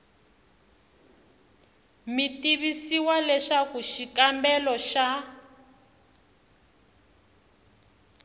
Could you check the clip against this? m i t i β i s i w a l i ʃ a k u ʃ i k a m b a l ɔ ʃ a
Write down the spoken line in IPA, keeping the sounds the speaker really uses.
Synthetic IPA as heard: m i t i β i s i w a l ɛ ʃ a k u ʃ i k a m b ɛ l ɔ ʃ a